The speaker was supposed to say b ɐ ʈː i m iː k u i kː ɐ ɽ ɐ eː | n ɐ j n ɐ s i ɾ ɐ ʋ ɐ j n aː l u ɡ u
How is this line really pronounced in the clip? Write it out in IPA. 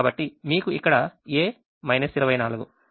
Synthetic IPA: b ɐ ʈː i m iː k u i kː ɐ ɽ ɐ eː | m ɐ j n ɐ s i ɾ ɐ ʋ ɐ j n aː l u ɡ u